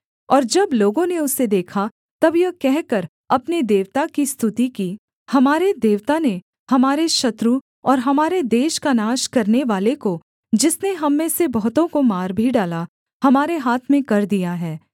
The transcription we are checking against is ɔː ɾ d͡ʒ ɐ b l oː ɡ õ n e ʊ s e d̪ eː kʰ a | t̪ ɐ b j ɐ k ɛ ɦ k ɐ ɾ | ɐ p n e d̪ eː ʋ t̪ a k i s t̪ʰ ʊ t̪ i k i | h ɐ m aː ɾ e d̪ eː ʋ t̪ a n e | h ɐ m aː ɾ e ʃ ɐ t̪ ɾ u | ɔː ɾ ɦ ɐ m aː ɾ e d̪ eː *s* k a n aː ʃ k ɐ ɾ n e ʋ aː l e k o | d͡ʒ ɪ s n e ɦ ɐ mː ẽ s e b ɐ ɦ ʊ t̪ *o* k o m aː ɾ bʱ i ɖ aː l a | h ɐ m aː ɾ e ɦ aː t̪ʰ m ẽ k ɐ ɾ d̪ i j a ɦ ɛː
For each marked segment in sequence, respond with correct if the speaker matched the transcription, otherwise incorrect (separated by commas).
incorrect, incorrect